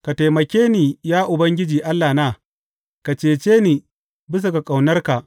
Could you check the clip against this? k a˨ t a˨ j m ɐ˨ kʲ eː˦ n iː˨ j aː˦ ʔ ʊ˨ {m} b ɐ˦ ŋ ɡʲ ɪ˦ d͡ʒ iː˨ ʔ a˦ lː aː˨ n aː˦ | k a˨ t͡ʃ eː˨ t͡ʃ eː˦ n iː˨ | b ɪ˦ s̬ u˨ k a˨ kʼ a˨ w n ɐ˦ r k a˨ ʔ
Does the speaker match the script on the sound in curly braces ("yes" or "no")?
no